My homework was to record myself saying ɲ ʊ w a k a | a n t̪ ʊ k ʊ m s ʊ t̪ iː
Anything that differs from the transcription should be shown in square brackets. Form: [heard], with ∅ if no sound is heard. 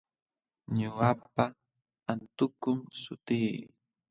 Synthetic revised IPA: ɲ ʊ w a [p] a | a n t̪ ʊ k ʊ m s ʊ t̪ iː